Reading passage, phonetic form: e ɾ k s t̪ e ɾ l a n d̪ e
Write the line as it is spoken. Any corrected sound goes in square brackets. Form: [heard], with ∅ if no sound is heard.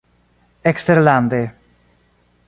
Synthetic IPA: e [∅] k s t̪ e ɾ l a n d̪ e

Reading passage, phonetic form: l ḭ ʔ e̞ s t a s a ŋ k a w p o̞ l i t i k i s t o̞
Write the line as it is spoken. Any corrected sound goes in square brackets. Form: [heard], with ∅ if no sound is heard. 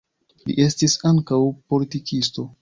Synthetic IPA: l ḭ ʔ e̞ s t [i] s a ŋ k a w p o̞ l i t i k i s t o̞

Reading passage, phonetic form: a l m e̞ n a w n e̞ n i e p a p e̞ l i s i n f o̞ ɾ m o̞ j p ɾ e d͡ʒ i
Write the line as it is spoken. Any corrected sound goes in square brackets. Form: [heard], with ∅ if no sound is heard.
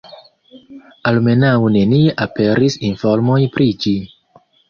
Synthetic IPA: a l m e̞ n a w n e̞ n i e [ʔ] a p e̞ [ɾ] i s i n f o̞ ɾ m o̞ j p ɾ [i] d͡ʒ i

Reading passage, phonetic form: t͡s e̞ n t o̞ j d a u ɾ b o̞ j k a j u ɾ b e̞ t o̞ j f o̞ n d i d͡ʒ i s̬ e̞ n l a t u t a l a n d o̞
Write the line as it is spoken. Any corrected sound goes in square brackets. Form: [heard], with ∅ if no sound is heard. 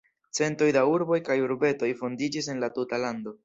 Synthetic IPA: t͡s e̞ n t o̞ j d a u ɾ b o̞ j k a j u ɾ b e̞ t o̞ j f o̞ n d i d͡ʒ i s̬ e̞ n l a t u t a l a n d o̞

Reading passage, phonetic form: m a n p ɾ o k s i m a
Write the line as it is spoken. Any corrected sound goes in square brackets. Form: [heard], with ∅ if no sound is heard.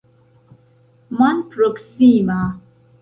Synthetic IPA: m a n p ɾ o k s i m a

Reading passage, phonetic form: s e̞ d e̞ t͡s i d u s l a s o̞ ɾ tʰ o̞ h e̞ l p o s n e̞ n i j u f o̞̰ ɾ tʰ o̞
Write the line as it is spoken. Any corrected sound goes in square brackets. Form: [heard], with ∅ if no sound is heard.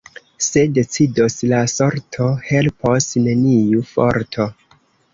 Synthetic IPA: s e̞ d e̞ t͡s i d [o] s l a s o̞ ɾ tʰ o̞ h e̞ l p o s n e̞ n i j u f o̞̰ ɾ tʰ o̞

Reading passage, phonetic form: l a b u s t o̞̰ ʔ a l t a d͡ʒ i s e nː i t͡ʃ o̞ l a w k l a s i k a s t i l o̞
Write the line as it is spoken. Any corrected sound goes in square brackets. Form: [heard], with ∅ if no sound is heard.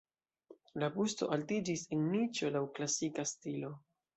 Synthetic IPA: l a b u s t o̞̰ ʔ a l t [i] d͡ʒ i s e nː i t͡ʃ o̞ l a w k l a s i k a s t i l o̞

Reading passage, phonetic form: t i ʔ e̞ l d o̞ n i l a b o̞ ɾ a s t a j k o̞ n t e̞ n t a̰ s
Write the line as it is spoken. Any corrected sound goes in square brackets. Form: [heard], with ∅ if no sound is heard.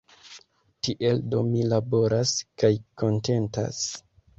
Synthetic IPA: t i ʔ e̞ l d o̞ [m] i l a b o̞ ɾ a s [k] a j k o̞ n t e̞ n t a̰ s

